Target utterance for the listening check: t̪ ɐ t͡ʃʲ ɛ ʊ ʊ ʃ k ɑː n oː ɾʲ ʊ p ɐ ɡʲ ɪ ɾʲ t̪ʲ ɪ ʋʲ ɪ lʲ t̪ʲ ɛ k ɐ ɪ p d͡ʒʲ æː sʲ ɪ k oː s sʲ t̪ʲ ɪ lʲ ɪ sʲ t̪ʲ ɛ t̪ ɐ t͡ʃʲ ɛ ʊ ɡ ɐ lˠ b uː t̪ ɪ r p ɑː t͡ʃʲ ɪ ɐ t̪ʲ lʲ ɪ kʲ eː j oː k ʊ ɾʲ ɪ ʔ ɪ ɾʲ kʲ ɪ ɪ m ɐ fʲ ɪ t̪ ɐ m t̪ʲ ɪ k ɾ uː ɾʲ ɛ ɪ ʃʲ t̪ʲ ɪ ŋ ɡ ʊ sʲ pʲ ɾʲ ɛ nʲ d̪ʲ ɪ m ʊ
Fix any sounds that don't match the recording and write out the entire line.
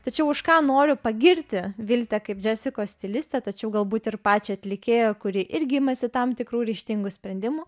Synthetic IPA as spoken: t̪ ɐ t͡ʃʲ ɛ ʊ ʊ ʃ k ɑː n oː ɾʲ ʊ p ɐ ɡʲ ɪ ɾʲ t̪ʲ ɪ ʋʲ ɪ lʲ t̪ʲ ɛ k ɐ ɪ p d͡ʒʲ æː sʲ ɪ k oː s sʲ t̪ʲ ɪ lʲ ɪ sʲ t̪ʲ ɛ t̪ ɐ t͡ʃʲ ɛ ʊ ɡ ɐ lˠ b uː t̪ ɪ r p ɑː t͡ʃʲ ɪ ɐ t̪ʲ lʲ ɪ kʲ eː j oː k ʊ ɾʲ ɪ ʔ ɪ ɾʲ ɡʲ ɪ ɪ m ɐ sʲ ɪ t̪ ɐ m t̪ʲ ɪ k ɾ uː ɾʲ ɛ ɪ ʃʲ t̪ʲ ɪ ŋ ɡ ʊ sʲ pʲ ɾʲ ɛ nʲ d̪ʲ ɪ m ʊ